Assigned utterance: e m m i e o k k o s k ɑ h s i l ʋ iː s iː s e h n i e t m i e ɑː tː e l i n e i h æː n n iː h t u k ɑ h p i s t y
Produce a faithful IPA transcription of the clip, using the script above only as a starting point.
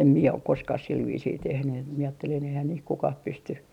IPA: e m m i e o k k o s k ɑ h s i l ʋ iː s iː t e h n y e t m i e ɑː tː e l i n e i h æː n n iː h k u k ɑ h p y s t y